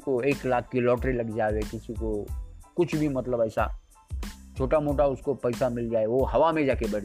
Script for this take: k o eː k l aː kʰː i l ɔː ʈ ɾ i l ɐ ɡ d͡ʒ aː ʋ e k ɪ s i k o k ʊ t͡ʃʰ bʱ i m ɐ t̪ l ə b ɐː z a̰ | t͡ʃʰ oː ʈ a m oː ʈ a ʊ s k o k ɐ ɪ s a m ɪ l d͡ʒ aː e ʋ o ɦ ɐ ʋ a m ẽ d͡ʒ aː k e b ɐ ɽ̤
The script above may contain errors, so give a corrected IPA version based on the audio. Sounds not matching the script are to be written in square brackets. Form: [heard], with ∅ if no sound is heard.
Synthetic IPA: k o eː k l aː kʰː i l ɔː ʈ ɾ i l ɐ ɡ d͡ʒ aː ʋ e k ɪ s i k o k ʊ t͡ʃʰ bʱ i m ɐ t̪ l ə b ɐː [s] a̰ | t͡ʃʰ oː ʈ a m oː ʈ a ʊ s k o [p] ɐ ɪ s a m ɪ l d͡ʒ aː e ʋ o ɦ ɐ ʋ a m ẽ d͡ʒ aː k e b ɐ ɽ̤